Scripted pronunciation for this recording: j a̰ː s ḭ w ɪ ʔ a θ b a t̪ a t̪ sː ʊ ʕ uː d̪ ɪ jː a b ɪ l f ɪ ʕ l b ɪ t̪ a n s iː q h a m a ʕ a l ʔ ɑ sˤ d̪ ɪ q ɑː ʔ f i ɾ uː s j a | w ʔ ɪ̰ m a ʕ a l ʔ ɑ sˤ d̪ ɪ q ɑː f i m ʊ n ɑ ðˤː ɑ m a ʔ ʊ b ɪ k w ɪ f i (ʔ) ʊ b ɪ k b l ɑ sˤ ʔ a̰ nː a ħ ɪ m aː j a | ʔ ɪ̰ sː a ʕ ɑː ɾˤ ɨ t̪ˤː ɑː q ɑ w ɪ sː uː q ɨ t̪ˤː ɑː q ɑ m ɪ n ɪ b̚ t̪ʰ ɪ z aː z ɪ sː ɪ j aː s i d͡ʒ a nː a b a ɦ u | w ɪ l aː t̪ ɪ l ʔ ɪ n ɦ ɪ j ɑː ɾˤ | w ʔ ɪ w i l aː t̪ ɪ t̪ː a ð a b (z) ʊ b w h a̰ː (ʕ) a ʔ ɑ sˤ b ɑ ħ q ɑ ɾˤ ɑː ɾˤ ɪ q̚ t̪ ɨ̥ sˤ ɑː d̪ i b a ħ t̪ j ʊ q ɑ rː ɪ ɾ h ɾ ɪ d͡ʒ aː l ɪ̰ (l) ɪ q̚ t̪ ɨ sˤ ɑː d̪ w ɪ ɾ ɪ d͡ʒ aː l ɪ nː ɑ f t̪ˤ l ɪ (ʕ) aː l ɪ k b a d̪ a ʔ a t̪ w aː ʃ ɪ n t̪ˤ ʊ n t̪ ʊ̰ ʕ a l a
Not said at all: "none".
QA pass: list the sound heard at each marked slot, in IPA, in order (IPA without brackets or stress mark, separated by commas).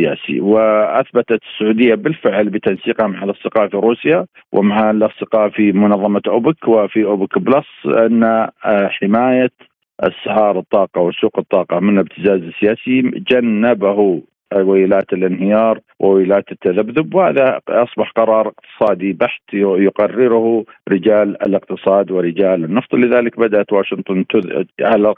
ʔ, ð, ð, l, ð